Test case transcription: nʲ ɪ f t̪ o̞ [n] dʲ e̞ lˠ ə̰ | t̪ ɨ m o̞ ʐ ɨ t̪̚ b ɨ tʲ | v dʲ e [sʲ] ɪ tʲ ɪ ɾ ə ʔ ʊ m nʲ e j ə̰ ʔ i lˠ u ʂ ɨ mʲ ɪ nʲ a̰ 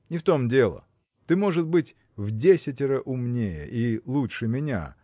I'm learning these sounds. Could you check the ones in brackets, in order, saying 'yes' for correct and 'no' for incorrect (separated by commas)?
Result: no, yes